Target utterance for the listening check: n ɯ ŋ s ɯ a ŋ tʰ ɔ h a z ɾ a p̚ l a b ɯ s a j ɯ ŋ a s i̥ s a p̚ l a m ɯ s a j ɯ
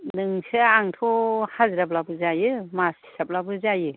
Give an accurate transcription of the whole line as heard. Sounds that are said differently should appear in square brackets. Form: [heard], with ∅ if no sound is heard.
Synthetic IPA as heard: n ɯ ŋ s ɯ a ŋ tʰ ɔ h a z ɾ a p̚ l a b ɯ [z] a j ɯ [m] a s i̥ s a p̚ l a [b] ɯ [z] a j ɯ